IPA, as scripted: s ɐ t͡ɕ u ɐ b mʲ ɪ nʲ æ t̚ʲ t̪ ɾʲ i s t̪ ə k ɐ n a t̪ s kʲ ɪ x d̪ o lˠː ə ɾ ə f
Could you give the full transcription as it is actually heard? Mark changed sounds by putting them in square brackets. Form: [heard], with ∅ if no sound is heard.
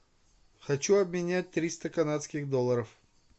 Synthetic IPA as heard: [x] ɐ t͡ɕ u ɐ b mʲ ɪ nʲ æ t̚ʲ t̪ ɾʲ i s t̪ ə k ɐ n a t̪ s kʲ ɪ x d̪ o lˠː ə ɾ ə f